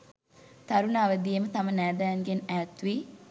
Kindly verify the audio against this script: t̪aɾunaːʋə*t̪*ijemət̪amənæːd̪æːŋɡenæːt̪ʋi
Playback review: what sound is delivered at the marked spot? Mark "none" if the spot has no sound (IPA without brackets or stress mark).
d̪